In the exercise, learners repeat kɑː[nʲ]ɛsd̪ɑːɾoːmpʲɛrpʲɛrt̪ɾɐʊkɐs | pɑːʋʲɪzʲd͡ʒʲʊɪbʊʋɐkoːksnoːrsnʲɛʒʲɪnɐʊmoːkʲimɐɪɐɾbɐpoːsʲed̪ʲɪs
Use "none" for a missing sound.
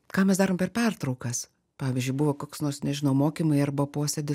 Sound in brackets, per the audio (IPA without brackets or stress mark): mʲ